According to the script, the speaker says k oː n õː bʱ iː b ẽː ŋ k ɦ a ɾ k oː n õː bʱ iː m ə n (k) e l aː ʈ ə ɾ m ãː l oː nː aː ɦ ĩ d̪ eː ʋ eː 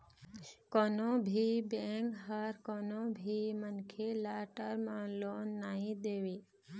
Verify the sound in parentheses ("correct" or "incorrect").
incorrect